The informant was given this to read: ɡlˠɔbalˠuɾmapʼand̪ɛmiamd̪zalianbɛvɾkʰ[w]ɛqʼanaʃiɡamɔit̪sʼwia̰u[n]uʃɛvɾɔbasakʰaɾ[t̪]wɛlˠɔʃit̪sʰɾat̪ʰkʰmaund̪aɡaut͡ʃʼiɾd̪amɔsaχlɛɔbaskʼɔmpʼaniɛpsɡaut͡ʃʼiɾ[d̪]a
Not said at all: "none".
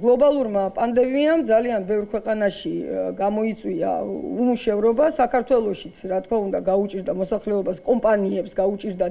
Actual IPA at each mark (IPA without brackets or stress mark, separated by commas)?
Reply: w, m, t̪ʰ, d̪